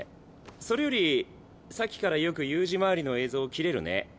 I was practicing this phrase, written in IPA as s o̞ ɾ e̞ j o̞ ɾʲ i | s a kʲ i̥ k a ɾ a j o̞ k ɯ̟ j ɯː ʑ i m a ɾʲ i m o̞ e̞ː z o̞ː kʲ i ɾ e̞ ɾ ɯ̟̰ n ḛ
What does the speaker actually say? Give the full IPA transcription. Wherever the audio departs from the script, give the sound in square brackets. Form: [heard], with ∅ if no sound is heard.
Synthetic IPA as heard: s o̞ ɾ e̞ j o̞ ɾʲ i | s a kʲ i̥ k a ɾ a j o̞ k ɯ̟ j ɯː ʑ i m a ɾʲ i [n] o̞ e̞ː z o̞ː kʲ i ɾ e̞ ɾ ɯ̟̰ n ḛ